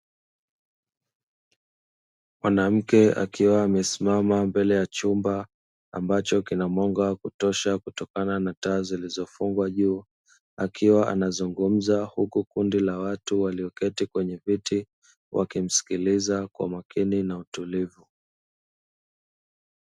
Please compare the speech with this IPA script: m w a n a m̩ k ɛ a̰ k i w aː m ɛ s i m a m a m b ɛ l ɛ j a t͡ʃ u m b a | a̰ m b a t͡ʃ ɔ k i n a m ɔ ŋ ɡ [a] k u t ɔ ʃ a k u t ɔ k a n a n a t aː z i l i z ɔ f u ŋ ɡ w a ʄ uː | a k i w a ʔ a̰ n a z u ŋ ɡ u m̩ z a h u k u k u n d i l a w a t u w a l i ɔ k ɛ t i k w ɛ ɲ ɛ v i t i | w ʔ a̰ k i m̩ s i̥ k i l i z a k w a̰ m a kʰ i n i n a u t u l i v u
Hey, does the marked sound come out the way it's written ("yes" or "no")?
yes